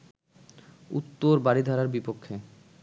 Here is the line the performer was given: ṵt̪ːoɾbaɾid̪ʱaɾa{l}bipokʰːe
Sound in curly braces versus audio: incorrect: ɾ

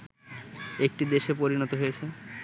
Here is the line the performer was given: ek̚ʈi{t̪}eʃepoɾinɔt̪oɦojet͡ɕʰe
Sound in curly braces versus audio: incorrect: d̪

